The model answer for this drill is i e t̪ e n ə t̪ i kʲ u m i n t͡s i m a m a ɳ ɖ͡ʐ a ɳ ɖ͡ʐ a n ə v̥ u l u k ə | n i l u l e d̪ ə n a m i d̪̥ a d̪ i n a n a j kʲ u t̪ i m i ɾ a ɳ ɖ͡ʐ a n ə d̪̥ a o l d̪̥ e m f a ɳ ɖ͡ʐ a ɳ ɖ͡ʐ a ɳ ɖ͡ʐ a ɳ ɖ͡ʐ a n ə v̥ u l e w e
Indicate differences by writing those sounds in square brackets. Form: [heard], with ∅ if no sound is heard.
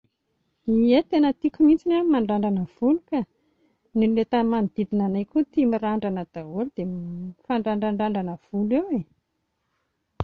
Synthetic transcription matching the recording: i e t̪ e n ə t̪ i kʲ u m i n t͡s i [n] a m a ɳ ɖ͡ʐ a ɳ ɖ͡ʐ a n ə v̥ u l u k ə | n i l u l e [t̪] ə [m] a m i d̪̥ [i] d̪ i n a n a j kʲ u t̪ i m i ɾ a ɳ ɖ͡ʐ a n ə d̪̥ a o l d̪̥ e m f a ɳ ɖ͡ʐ a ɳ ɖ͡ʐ a ɳ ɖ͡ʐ a ɳ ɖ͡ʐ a n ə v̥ u l e w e